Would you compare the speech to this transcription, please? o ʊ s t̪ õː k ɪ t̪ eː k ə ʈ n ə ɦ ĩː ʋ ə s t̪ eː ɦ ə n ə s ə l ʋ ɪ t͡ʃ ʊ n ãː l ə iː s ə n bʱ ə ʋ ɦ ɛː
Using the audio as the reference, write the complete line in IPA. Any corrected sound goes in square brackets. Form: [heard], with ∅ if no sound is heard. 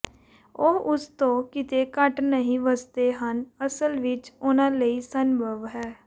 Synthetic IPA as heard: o ʊ s t̪ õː k ɪ t̪ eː k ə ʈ n ə ɦ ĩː ʋ ə s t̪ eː ɦ ə n ə s ə l ʋ ɪ t͡ʃ ʊ n ãː l ə iː s ə n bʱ ə ʋ ɦ ɛː